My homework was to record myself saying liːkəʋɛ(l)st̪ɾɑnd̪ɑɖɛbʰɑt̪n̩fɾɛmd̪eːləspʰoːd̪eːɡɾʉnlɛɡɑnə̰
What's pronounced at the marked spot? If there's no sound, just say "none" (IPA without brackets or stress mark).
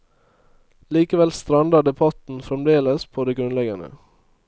l